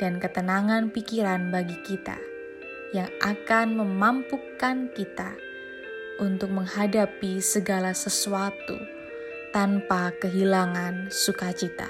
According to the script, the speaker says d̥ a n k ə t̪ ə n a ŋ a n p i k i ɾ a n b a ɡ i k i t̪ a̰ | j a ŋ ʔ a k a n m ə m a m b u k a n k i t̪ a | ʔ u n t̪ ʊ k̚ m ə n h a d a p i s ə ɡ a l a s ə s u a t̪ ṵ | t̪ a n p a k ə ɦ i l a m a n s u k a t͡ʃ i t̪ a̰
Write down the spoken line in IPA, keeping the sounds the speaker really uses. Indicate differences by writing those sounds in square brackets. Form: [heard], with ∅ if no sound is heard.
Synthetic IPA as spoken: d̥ a n k ə t̪ ə n a ŋ a n p i k i ɾ a n b a ɡ i k i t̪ a̰ | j a ŋ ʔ a k a n m ə m a m [p] u k a n k i t̪ a | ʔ u n t̪ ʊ k̚ m ə [ŋ] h a d a p i s ə ɡ a l a s ə s u a t̪ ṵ | t̪ a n p a k ə ɦ i l a [ŋ] a n s u k a t͡ʃ i t̪ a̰